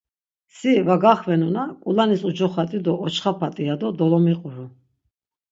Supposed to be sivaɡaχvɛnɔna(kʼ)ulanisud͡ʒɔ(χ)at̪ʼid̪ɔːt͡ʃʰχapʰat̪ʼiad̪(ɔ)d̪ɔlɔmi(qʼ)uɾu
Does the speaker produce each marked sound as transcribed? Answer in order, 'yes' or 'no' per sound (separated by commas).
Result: yes, yes, yes, yes